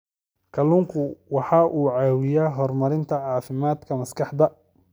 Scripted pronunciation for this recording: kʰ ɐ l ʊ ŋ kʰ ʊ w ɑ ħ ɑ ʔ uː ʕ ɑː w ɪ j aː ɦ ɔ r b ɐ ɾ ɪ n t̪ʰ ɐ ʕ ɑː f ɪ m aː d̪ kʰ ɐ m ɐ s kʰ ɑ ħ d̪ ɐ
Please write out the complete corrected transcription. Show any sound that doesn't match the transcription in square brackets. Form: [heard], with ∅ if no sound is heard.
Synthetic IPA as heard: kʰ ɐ l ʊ ŋ kʰ ʊ w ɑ ħ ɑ ʔ uː ʕ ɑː w ɪ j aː ɦ ɔ r [m] ɐ ɾ ɪ n t̪ʰ ɐ ʕ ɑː f ɪ m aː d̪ kʰ ɐ m ɐ s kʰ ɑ ħ d̪ ɐ